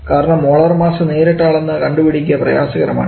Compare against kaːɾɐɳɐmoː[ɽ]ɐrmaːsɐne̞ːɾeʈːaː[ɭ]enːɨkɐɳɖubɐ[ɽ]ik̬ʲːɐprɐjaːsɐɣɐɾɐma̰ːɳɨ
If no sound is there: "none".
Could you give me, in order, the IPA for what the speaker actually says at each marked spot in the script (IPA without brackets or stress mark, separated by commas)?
ɭ, ɭ, ɽ